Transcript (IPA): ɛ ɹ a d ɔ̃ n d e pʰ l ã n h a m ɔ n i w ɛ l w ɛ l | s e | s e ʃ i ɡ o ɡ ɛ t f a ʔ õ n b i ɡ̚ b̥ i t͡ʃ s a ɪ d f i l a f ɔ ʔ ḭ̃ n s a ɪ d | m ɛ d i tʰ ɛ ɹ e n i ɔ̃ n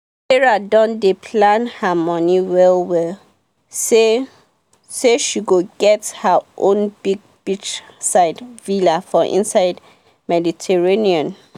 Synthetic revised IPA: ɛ ɹ a d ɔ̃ n d e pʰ l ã n h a m ɔ n i w ɛ l w ɛ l | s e | s e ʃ i ɡ o ɡ ɛ t h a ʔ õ n b i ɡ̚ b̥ i t͡ʃ s a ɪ d v i l a f ɔ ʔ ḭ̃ n s a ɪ d | m ɛ d i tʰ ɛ ɹ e n i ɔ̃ n

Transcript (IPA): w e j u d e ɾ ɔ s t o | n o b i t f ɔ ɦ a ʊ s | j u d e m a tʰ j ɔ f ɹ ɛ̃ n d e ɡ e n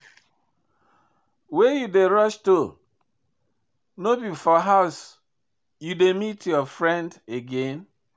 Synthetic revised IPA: w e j u d e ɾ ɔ ʃ t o | n o b i f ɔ ɦ a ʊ s | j u d e m i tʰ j ɔ f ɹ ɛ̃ n d e ɡ e n

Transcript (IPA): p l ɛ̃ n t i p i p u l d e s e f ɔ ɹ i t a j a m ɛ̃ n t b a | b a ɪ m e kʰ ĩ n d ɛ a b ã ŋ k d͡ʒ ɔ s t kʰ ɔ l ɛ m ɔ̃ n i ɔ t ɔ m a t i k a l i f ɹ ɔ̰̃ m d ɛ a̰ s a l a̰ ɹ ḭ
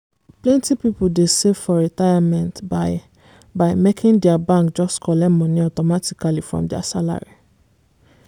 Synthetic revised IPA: p l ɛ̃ n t i p i p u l d e s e f ɔ ɹ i t a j a m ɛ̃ n t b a | b a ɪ m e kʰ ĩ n d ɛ a b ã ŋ k d͡ʒ ɔ s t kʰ ɔ l ɛ m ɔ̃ n i ɔ t ɔ m a t i k a l i f ɹ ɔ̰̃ m d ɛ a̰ s a l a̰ ɹ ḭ

